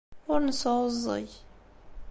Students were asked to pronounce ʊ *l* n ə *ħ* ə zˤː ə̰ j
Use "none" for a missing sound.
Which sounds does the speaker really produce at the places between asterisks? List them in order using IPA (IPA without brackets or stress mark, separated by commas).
ɾ, s